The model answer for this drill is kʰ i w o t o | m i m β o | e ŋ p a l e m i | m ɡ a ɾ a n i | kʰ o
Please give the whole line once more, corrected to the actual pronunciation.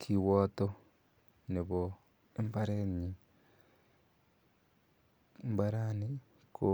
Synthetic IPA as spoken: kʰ i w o t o | n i β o | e m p a ɾ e ɲ i | m b a ɾ a n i | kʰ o